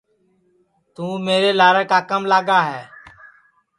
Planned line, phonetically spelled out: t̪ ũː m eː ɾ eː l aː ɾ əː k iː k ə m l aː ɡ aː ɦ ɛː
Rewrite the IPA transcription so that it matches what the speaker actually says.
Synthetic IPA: t̪ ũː m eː ɾ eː l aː ɾ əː k aː k ə m l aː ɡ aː ɦ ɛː